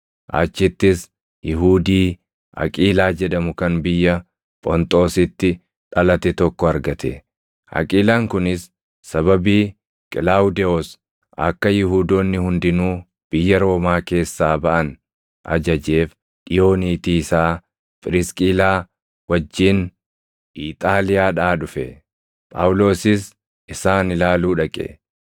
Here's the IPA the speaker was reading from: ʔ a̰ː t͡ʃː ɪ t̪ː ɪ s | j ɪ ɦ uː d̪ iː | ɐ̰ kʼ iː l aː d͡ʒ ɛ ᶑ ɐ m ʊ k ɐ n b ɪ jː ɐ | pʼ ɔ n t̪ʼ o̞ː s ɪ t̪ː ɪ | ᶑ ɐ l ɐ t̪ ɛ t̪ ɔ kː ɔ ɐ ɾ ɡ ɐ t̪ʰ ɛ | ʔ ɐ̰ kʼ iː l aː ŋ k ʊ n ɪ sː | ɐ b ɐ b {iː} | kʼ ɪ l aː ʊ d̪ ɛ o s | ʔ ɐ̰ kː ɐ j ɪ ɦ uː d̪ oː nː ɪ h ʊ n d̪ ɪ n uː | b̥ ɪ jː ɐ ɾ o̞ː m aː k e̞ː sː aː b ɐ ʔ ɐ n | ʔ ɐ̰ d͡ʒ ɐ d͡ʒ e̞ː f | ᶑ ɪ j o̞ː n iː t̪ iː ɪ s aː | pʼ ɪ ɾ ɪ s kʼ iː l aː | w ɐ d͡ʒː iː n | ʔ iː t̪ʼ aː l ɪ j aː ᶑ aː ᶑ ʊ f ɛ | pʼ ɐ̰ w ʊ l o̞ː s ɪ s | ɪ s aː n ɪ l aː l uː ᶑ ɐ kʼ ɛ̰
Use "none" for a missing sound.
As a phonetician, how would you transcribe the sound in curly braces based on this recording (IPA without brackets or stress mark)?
iː